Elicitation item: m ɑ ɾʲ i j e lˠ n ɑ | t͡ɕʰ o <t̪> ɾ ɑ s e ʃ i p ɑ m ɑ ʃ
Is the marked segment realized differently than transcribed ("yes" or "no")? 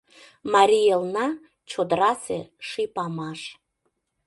yes